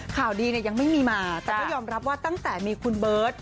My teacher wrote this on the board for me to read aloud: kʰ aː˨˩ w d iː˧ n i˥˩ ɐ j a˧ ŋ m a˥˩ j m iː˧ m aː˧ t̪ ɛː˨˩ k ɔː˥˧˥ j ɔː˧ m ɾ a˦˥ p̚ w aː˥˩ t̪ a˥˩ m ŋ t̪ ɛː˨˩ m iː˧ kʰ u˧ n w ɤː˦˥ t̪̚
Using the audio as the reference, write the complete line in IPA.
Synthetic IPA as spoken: kʰ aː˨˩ w d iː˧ n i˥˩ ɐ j a˧ ŋ m a˥˩ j m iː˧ m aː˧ t̪ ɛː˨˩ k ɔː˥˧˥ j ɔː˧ m ɾ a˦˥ p̚ w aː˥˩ t̪ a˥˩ ŋ t̪ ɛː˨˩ m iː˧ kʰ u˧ n b ɤː˦˥ t̪̚